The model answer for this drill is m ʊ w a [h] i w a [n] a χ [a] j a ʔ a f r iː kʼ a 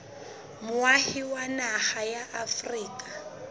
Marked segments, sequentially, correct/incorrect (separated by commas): correct, correct, correct